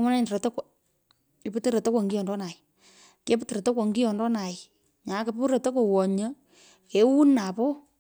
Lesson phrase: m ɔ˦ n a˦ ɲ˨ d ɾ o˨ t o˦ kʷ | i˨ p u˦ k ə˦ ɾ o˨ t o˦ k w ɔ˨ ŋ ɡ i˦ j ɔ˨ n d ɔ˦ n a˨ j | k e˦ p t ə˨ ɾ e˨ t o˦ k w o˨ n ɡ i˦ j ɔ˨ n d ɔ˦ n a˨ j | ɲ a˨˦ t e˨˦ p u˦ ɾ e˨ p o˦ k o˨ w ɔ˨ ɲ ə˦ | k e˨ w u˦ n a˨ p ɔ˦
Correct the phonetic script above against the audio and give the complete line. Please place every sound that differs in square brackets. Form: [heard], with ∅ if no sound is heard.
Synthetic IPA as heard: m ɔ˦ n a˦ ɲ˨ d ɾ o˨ t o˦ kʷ | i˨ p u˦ [t] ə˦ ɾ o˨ t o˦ k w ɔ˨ ŋ ɡ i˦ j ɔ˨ n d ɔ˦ n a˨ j | k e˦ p t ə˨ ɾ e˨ t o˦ k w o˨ [ŋ] ɡ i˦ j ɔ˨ n d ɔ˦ n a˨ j | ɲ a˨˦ [k] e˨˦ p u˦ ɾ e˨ [t] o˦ k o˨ w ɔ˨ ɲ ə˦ | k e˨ w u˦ n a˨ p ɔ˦

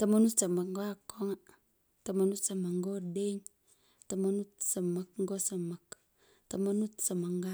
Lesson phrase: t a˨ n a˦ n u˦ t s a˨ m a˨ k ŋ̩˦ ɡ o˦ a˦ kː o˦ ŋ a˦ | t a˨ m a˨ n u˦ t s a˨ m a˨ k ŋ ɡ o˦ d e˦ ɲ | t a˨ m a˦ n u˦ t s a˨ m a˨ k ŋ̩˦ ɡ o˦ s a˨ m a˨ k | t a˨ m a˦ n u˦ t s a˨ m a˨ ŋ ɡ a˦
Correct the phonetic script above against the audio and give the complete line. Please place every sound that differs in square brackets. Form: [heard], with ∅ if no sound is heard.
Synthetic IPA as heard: t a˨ [m] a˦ n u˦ t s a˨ m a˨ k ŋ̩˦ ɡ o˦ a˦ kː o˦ ŋ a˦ | t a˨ m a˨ n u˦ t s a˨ m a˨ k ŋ ɡ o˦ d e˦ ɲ | t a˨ m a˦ n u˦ t s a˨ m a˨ k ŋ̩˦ ɡ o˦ s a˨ m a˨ k | t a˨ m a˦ n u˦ t s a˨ m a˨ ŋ ɡ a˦

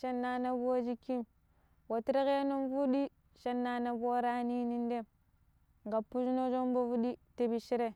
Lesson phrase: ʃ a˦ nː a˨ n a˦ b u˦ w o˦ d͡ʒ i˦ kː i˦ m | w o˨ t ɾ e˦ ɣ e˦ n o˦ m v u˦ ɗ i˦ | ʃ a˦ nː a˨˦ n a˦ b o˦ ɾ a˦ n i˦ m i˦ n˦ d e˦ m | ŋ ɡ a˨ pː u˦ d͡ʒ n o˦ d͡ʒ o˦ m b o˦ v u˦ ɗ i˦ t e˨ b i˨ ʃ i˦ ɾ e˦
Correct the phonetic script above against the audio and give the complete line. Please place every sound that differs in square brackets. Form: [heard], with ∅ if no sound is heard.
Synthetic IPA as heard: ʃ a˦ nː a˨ n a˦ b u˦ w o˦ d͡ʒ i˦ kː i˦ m | w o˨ t ɾ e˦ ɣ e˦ n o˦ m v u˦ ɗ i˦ | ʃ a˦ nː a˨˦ n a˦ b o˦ ɾ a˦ n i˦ [n] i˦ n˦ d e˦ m | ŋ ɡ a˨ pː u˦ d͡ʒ n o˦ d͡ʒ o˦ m b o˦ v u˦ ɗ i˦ t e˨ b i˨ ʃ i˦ ɾ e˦

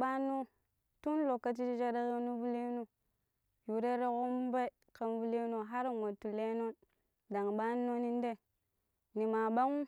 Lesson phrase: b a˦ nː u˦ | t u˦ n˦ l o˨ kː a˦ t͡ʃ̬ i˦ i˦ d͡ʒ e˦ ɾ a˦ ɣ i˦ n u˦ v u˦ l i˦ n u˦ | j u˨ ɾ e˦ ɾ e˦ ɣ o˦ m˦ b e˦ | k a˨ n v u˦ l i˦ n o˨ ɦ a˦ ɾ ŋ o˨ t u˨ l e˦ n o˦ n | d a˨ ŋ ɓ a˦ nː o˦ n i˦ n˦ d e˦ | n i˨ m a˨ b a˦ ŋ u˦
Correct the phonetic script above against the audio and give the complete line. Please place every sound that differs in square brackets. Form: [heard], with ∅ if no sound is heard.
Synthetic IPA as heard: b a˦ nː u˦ | t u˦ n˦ l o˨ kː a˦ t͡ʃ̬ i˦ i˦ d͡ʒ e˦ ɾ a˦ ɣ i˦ n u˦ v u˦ l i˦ n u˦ | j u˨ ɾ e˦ ɾ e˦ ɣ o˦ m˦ b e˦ | k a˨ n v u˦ l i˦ n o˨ ɦ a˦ ɾ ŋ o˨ t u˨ l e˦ n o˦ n | d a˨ ŋ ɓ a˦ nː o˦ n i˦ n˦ d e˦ | n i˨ m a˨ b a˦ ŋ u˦

